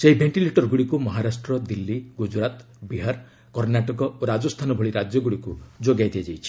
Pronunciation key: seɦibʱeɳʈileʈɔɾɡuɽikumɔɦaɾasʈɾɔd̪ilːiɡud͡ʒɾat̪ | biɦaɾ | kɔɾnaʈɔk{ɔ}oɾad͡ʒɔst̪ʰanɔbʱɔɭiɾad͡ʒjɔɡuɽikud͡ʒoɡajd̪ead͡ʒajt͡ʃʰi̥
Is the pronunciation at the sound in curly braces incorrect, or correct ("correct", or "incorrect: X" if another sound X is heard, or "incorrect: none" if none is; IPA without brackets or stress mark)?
correct